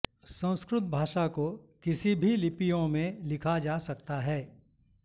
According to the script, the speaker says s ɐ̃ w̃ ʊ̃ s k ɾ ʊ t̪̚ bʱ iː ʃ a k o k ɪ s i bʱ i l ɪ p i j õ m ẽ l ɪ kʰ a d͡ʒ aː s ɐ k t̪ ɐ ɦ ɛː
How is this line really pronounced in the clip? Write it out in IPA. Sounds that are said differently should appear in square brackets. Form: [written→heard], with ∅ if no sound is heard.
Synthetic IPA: s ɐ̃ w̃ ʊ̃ s k ɾ ʊ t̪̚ bʱ [iː→aː] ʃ a k o k ɪ s i bʱ i l ɪ p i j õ m ẽ l ɪ kʰ a d͡ʒ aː s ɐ k t̪ [ɐ→a] ɦ ɛː